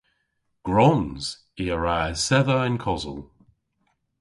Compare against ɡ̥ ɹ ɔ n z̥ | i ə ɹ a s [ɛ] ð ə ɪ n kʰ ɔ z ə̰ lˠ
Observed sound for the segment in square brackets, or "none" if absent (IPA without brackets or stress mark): ɛ